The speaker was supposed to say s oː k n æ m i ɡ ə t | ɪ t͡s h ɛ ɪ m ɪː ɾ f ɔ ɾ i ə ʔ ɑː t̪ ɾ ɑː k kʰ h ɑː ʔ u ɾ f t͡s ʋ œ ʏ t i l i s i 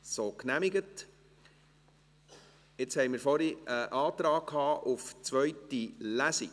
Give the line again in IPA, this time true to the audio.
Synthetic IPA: s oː k n æ m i ɡ ə t | ɪ t͡s h ɛ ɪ m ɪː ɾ f ɔ ɾ i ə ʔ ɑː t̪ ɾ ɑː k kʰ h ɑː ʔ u f t͡s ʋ œ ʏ t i l æ s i

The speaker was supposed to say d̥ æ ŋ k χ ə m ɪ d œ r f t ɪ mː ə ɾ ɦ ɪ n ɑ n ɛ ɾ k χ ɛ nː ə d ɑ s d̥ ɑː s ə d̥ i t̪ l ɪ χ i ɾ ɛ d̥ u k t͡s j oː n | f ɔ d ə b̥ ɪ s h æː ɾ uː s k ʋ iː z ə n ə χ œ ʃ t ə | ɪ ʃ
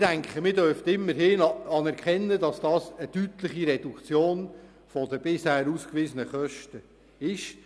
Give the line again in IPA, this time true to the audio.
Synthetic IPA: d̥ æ ŋ k χ ə m ɪ d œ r f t ɪ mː ə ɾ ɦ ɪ n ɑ n ɛ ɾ k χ ɛ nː ə d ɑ s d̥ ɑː s ə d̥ y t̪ l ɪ χ i ɾ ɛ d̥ u k t͡s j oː n | f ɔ d ə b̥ ɪ s h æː ɾ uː s k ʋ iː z ə n ə χ œ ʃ t ə | ɪ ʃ

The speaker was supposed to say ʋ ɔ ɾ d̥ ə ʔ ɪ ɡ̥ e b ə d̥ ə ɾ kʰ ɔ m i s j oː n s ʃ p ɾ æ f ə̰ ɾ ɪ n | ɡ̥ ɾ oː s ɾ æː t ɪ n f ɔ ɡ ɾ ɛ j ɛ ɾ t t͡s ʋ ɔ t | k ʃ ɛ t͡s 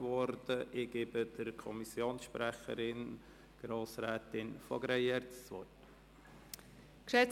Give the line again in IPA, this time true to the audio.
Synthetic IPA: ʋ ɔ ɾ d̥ ə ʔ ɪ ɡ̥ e b ə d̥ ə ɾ kʰ ɔ m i s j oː n s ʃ p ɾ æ χ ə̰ ɾ ɪ n | ɡ̥ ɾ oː s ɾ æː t ɪ n f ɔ ɡ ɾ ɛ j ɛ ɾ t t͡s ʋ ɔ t | k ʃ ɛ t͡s

